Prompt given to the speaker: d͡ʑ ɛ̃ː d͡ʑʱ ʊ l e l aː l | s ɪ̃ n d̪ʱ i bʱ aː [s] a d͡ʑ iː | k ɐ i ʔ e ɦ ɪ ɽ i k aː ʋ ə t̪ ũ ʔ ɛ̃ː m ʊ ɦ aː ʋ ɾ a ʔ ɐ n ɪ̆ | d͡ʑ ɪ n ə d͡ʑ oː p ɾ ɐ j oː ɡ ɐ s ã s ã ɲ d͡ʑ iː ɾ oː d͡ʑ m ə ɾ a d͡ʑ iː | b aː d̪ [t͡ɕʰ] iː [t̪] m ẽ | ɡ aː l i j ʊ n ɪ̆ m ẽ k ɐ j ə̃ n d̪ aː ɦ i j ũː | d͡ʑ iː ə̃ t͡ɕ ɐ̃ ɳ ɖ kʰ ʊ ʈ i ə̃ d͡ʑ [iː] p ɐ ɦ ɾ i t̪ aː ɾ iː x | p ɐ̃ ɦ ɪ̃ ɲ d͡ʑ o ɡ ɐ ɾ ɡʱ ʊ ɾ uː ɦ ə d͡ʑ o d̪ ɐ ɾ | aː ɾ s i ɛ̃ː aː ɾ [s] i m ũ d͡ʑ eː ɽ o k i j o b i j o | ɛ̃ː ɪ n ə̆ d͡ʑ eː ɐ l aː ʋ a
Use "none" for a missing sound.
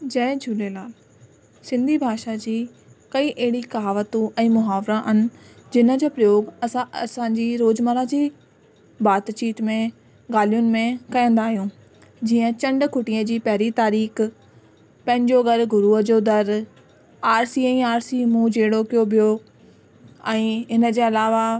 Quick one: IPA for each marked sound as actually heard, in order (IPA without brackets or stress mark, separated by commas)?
ʃ, t͡ɕ, t̪, iː, s